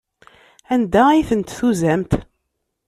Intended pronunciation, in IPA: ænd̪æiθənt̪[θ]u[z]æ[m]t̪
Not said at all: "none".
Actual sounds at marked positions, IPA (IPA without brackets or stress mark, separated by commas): θ, z, m